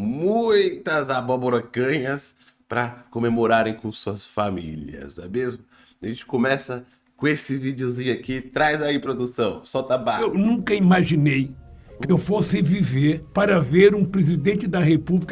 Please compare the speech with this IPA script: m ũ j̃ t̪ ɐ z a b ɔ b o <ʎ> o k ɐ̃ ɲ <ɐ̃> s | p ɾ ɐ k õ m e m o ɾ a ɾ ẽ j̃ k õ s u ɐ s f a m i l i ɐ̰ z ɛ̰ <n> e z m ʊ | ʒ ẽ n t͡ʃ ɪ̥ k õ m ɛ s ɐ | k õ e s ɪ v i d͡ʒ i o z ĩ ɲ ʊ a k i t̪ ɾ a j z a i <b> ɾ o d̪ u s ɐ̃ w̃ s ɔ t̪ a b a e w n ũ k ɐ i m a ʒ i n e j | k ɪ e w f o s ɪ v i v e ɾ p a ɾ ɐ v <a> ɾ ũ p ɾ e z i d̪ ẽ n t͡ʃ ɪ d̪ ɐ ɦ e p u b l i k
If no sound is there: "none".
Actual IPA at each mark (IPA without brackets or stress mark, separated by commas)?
ɾ, ɐ, m, p, e